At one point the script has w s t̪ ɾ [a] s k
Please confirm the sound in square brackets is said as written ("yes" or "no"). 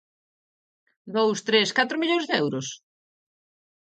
no